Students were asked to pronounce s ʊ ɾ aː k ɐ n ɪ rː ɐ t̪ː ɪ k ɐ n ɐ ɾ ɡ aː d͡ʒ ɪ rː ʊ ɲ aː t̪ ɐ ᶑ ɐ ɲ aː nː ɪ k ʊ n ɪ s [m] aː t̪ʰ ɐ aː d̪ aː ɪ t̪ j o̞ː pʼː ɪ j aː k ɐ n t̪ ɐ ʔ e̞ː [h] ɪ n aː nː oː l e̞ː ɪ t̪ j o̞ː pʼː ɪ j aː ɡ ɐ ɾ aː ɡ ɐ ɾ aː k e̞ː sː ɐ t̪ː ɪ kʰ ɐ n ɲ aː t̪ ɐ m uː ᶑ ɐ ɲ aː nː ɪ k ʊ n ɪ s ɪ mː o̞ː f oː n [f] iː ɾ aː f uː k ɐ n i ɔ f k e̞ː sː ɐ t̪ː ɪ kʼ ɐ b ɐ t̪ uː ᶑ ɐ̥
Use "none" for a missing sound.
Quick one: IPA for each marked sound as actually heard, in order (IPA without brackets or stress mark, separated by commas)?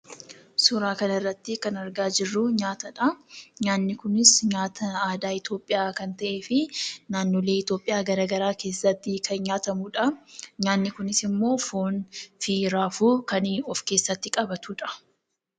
ɲ, f, f